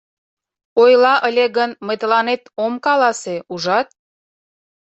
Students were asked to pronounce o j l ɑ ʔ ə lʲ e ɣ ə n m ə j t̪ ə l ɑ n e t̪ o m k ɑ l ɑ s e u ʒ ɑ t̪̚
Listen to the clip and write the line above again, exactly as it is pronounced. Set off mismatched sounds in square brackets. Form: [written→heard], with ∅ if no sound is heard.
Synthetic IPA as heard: o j l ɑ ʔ ə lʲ e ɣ ə n m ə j t̪ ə l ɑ n e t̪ o m k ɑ l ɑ s e u ʒ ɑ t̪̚